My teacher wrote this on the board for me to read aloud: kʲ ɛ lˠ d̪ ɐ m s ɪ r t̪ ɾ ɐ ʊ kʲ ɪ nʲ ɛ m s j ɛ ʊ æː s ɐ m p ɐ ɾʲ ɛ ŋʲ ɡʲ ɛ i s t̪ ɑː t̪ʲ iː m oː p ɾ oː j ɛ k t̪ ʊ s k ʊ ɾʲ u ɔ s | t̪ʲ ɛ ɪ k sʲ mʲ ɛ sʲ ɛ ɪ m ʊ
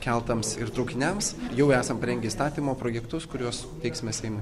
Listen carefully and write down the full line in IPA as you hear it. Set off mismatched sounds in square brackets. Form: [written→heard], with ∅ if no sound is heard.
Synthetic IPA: kʲ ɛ lˠ [d̪→t̪] ɐ m s ɪ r t̪ ɾ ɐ ʊ kʲ ɪ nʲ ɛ m s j ɛ ʊ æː s ɐ m p ɐ ɾʲ ɛ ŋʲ ɡʲ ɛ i s t̪ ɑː t̪ʲ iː m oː p ɾ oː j ɛ k t̪ ʊ s k ʊ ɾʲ u ɔ s | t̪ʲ ɛ ɪ k sʲ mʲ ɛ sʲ ɛ ɪ m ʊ